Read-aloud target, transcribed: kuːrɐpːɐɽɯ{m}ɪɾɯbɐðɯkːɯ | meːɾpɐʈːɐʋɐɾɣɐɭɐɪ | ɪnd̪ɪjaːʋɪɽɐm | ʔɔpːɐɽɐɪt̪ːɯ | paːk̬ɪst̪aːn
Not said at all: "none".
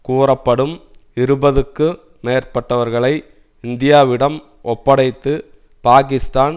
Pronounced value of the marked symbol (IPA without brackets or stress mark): m